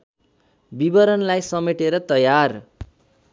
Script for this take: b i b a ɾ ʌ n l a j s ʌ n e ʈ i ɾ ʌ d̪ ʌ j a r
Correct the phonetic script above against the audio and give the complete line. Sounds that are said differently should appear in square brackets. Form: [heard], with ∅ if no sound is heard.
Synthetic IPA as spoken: b i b [ʌ] ɾ ʌ n l a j s ʌ [m] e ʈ [e] ɾ ʌ [t̪] ʌ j a r